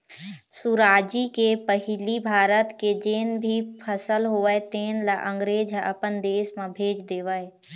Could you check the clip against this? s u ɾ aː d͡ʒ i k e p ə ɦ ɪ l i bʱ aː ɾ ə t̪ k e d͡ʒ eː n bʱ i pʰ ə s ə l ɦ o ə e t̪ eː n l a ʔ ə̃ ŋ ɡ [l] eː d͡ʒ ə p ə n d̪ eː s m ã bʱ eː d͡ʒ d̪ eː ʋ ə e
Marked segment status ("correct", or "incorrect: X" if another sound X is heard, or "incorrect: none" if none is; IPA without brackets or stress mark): incorrect: ɾ